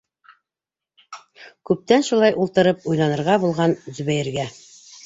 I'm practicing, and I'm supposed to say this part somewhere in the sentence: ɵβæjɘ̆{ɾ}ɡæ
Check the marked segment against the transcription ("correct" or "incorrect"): correct